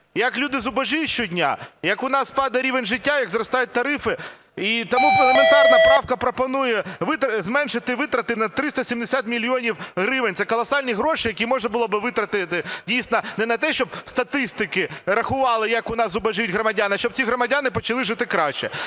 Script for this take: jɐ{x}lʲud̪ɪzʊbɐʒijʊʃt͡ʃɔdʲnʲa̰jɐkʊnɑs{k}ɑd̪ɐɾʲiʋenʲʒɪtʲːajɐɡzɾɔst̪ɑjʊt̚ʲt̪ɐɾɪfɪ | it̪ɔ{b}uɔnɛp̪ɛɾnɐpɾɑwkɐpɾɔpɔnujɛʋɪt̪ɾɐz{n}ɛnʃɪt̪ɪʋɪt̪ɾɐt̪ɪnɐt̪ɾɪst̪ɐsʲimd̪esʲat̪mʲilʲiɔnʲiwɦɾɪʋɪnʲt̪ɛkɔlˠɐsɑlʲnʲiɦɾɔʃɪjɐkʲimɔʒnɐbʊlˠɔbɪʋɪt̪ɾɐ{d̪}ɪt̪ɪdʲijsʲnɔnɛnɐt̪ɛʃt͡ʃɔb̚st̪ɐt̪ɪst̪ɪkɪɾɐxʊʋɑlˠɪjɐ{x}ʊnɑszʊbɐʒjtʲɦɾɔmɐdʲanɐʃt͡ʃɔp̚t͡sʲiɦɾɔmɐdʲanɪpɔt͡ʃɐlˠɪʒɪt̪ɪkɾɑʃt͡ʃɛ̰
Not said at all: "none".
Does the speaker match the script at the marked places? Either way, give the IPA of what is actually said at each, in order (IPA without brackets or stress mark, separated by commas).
k, p, m, m, t̪, k